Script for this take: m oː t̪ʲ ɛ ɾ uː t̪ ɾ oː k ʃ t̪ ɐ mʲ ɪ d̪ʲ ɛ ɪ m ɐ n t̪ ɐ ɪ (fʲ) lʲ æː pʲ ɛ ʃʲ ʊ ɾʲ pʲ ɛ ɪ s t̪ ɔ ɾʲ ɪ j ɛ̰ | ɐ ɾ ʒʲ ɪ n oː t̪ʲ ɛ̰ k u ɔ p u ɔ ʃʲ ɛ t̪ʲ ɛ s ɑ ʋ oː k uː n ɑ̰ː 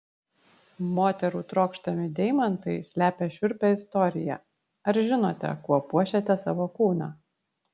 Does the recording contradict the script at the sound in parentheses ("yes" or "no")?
yes